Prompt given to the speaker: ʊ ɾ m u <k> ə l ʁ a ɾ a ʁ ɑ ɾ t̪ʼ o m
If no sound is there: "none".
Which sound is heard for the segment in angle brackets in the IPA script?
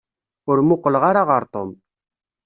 q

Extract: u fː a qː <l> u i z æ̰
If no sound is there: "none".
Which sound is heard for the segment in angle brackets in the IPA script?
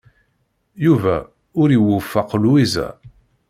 l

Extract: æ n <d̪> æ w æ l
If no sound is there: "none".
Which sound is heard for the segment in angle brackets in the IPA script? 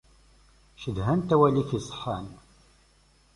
t̪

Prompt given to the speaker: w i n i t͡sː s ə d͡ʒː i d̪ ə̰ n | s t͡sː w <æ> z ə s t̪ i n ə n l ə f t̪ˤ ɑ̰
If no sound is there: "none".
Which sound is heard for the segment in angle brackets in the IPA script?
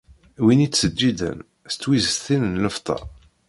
i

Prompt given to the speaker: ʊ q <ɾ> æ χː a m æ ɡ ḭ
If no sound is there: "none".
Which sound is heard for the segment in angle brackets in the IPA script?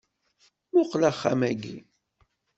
l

